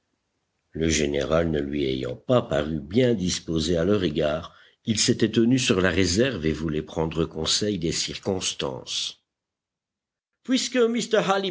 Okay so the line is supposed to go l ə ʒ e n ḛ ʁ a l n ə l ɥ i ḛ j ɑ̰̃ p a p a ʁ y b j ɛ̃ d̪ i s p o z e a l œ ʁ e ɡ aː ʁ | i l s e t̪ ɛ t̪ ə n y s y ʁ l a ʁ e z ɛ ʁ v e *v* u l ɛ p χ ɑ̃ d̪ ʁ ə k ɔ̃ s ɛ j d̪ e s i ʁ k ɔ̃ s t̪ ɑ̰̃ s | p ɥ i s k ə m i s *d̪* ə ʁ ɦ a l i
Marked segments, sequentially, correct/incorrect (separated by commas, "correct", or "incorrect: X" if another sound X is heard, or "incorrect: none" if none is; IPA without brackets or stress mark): correct, incorrect: t̪